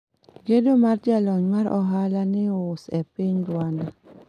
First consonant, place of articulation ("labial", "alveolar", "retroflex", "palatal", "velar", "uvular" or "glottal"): velar